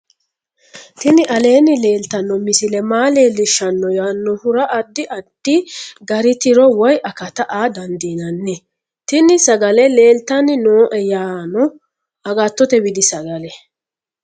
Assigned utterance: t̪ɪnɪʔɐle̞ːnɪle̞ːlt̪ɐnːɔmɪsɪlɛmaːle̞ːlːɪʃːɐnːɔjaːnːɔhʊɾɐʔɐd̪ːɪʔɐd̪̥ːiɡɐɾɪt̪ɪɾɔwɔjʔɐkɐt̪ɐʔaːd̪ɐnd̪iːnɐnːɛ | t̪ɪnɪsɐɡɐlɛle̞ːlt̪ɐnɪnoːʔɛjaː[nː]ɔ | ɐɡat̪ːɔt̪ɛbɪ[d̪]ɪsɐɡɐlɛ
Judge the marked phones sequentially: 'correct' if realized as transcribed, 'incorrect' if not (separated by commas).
incorrect, correct